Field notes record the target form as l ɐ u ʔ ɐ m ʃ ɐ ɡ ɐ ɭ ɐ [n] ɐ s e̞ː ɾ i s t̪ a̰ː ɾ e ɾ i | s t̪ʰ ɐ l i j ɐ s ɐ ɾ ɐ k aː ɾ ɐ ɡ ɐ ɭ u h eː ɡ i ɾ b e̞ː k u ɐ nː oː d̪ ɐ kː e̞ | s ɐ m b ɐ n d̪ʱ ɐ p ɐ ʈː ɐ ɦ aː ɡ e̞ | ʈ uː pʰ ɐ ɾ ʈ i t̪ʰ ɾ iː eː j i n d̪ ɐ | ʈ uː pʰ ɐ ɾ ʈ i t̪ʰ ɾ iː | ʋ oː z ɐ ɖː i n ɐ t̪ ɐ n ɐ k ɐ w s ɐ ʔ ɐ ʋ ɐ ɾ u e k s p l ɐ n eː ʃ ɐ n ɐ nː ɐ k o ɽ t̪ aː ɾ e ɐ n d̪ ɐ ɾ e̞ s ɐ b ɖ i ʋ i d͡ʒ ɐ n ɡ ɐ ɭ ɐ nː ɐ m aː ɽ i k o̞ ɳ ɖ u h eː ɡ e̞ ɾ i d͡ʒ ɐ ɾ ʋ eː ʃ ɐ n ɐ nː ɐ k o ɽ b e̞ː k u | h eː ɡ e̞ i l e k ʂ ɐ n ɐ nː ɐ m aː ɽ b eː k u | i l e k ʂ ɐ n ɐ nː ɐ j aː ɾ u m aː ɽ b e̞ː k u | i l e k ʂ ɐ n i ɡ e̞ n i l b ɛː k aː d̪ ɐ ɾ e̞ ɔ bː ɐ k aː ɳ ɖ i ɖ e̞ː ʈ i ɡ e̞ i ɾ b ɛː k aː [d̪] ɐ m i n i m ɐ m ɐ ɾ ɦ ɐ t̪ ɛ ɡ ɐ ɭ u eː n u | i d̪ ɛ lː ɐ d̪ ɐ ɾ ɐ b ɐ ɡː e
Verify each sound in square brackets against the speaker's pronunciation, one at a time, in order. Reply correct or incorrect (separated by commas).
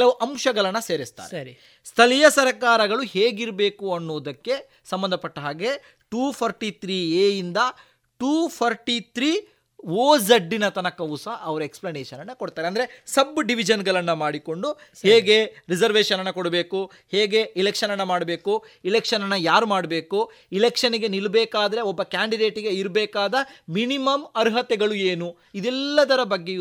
incorrect, correct